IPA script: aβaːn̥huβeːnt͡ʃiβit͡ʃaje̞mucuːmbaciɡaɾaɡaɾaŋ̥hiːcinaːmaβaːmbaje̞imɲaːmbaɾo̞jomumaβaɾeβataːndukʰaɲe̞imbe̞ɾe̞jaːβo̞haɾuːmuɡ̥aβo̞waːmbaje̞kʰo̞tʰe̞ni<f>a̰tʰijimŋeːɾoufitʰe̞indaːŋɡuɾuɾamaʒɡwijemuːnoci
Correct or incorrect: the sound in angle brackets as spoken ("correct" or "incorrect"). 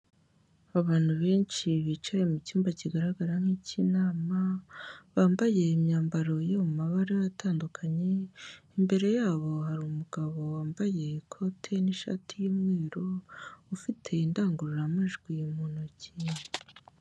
incorrect